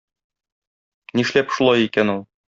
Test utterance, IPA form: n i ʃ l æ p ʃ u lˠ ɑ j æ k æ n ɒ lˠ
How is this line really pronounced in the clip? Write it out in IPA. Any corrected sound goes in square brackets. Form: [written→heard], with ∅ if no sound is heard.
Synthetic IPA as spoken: n i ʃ l æ p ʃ u lˠ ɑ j [æ→i] k æ n [ɒ→u] lˠ